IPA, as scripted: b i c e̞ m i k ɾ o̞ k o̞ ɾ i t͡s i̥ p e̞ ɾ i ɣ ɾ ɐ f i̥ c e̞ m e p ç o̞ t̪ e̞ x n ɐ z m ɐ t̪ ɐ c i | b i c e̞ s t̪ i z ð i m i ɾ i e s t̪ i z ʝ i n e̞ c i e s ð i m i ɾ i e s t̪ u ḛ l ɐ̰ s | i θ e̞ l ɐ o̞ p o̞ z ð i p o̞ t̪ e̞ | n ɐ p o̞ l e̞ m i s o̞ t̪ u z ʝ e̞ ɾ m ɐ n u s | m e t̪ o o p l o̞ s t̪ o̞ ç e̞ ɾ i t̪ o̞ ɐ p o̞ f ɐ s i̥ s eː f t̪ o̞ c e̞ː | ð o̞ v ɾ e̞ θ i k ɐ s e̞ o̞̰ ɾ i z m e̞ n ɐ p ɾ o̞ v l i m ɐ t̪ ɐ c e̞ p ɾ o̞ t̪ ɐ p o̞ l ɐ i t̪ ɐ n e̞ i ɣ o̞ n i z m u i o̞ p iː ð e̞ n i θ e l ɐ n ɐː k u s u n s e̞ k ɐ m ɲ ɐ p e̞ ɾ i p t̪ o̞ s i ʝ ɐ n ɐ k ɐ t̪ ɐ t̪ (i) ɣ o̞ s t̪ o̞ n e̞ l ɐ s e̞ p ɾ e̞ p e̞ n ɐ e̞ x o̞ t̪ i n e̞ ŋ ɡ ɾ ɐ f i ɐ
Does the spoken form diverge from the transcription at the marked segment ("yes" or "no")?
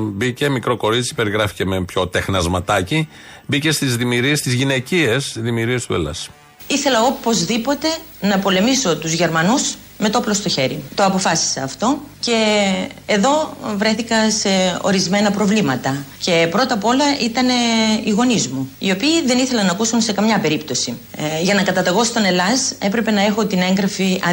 yes